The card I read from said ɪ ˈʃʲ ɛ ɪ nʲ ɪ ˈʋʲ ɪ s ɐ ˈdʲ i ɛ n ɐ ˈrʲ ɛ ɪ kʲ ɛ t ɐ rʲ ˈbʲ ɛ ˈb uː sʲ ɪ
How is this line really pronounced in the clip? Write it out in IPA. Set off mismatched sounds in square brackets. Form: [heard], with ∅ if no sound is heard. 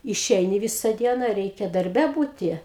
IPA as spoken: ɪ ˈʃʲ ɛ ɪ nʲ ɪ ˈʋʲ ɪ s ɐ ˈdʲ i ɛ n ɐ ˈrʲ ɛ ɪ kʲ ɛ [d] ɐ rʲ ˈbʲ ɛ ˈb uː [tʲ] ɪ